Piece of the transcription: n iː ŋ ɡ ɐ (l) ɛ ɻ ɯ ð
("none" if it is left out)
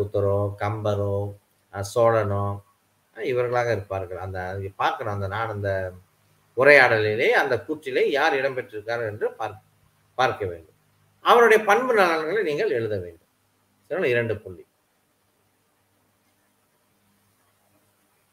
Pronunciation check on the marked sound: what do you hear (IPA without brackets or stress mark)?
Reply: ɭ